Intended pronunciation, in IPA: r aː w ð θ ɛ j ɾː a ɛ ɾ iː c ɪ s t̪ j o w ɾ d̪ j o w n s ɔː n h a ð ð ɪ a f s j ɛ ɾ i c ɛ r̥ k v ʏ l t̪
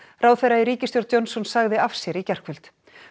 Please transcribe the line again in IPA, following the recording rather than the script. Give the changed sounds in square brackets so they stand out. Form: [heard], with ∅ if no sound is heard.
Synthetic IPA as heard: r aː w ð θ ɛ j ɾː a [i] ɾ iː c ɪ s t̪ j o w ɾ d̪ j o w n s [ɔ] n [s] a [ɣ] ð ɪ a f s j ɛ ɾ i c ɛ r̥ k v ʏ l t̪